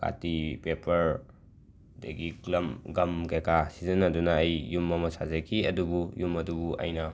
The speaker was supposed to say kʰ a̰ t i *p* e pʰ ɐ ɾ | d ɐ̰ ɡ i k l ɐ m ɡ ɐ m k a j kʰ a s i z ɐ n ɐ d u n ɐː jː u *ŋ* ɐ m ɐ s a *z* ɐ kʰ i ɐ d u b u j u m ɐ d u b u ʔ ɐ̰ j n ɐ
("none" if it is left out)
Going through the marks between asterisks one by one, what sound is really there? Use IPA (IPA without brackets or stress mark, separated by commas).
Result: p, m, z